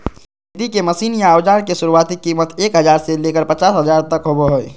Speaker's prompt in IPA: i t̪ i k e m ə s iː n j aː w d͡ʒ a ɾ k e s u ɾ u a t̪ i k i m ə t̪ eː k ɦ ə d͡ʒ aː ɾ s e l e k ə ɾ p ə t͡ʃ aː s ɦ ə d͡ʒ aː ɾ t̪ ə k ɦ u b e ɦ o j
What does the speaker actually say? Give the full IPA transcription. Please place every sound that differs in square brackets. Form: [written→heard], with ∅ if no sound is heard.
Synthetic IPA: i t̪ i k e m ə s iː n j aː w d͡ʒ a ɾ k e s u ɾ u a t̪ i k i m ə t̪ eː k ɦ ə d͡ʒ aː ɾ s e l e k ə ɾ p ə t͡ʃ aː s ɦ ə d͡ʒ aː ɾ t̪ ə k ɦ [u→o] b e ɦ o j

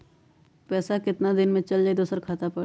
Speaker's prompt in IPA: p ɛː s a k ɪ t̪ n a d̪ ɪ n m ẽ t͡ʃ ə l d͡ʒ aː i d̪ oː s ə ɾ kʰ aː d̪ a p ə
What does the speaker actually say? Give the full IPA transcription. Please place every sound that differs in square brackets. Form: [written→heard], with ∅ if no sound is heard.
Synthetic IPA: p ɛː s a k ɪ t̪ n a d̪ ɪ n m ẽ t͡ʃ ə l d͡ʒ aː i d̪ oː s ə ɾ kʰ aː [d̪→t̪] a p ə

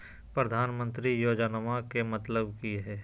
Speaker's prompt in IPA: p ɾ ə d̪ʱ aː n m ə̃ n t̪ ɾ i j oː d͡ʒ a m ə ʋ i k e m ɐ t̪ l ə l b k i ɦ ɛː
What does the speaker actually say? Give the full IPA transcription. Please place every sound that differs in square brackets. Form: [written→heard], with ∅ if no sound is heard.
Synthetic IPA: p ɾ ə d̪ʱ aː n m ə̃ n t̪ ɾ i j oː d͡ʒ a [m→n] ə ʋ [i→a] k e m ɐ t̪ l ə [l→∅] b k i ɦ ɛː

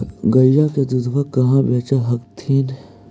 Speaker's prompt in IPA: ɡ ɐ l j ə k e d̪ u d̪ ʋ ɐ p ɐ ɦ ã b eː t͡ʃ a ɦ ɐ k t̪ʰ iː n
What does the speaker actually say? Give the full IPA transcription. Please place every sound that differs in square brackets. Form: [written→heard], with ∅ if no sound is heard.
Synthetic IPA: ɡ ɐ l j [ə→a] k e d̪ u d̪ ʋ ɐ [p→k] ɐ ɦ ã b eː t͡ʃ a ɦ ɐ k t̪ʰ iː n

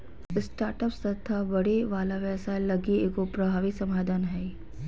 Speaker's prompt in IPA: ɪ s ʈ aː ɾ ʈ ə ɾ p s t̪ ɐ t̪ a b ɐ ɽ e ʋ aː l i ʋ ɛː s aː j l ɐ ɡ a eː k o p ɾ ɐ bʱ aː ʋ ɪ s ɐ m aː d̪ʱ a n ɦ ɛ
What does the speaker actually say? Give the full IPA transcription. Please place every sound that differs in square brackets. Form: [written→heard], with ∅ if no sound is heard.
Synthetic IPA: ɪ s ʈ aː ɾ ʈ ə [ɾ→∅] p s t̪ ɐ [t̪→t̪ʰ] a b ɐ ɽ e ʋ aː l [i→a] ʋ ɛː s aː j l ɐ ɡ [a→i] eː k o p ɾ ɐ bʱ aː ʋ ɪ s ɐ m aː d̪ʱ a n ɦ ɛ

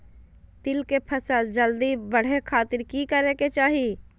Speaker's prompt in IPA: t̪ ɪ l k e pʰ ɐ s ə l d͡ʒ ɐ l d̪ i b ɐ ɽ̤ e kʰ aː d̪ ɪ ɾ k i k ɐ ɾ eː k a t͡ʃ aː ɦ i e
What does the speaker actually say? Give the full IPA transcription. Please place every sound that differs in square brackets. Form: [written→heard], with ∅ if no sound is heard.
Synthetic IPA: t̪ ɪ l k e pʰ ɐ s ə l d͡ʒ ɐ l d̪ i b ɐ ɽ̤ e kʰ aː [d̪→t̪] ɪ ɾ k i k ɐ ɾ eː k [a→e] t͡ʃ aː ɦ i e

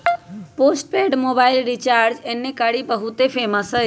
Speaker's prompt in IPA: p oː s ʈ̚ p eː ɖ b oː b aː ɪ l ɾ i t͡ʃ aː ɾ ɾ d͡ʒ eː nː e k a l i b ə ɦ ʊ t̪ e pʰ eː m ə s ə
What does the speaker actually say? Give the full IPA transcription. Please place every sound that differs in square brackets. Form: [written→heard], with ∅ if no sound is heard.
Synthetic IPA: p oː s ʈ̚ p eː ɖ [b→m] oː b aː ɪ l ɾ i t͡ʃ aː ɾ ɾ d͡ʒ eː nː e k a [l→ɽ] i b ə ɦ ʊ t̪ e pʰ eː m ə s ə

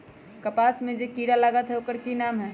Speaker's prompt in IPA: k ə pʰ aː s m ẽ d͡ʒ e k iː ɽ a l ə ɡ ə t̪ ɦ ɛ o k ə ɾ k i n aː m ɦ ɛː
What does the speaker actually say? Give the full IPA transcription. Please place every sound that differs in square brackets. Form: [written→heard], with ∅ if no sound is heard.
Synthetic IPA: k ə [pʰ→p] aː s m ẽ d͡ʒ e k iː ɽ a l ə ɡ ə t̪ ɦ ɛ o k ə ɾ k i n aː m ɦ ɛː

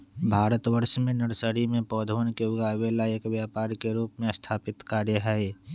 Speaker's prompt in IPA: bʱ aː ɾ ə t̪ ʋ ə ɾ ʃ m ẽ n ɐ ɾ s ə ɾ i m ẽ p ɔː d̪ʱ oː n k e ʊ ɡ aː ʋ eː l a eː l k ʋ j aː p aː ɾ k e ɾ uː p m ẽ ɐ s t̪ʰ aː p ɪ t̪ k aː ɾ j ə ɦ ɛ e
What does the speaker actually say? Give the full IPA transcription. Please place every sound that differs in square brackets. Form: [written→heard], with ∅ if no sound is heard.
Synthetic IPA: bʱ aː ɾ ə t̪ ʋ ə ɾ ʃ m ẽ n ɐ ɾ s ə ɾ i m ẽ p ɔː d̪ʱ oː n k e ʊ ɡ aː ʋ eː l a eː [l→∅] k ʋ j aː p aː ɾ k e ɾ uː p m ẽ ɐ s t̪ʰ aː p ɪ t̪ k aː ɾ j ə ɦ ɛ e

